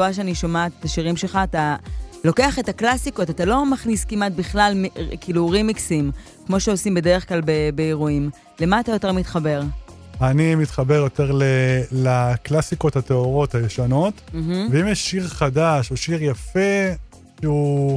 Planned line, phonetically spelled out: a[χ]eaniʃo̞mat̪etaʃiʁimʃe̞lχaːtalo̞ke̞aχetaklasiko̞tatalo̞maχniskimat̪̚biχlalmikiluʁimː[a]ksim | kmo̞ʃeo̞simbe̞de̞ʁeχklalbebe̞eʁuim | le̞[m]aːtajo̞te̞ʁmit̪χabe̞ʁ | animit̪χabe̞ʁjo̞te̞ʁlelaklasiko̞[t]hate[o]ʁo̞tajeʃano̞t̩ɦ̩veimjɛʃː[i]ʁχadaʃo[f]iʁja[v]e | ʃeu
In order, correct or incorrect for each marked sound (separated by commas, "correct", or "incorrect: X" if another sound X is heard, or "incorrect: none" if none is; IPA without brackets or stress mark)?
incorrect: ʃ, incorrect: i, correct, correct, correct, correct, incorrect: ʃ, incorrect: f